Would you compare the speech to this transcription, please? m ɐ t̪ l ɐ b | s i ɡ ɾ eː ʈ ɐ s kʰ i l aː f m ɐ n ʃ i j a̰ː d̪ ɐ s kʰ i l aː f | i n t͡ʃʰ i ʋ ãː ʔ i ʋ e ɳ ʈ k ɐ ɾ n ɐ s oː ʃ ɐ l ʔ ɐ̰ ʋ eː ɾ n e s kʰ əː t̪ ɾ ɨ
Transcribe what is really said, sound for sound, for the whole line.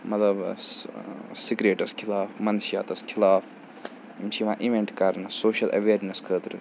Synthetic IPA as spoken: m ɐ t̪ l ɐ b | s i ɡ ɾ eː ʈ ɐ s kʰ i l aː f m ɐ n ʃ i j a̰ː t̪ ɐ s kʰ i l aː f | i m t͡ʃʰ i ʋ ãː ʔ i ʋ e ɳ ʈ k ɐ ɾ n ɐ s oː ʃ ɐ l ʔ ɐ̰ ʋ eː ɾ n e s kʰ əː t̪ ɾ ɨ